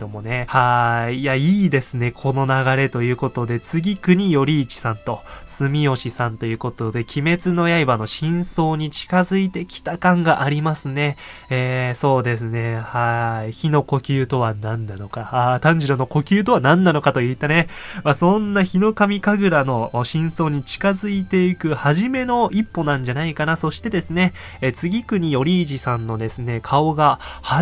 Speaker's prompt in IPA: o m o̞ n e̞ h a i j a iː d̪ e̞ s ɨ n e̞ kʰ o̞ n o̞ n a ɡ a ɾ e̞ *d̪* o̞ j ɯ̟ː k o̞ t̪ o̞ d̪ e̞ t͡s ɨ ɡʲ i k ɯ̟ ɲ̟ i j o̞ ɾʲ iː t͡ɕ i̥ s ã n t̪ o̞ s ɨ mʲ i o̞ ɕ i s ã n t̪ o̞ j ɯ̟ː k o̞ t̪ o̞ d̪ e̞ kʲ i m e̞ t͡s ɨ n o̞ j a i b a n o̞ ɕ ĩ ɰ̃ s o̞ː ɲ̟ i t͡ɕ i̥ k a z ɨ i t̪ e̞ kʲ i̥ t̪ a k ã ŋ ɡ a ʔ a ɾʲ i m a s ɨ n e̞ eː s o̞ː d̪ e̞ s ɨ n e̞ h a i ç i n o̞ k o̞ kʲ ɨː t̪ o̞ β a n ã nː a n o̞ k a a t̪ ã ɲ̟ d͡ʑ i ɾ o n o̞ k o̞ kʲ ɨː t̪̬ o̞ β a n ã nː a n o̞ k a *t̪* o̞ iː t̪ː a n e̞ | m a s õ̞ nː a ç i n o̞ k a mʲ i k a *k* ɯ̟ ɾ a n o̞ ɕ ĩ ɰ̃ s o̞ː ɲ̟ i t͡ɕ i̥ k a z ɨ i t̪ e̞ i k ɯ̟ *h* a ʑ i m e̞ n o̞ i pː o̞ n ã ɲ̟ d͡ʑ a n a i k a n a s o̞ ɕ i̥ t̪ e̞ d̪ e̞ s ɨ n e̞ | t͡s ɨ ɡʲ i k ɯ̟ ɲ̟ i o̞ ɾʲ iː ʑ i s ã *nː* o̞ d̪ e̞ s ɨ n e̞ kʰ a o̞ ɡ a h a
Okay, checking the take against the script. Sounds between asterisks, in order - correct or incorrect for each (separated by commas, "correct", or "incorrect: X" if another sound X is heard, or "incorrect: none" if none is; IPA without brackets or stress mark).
incorrect: t̪, correct, incorrect: ɡ, correct, correct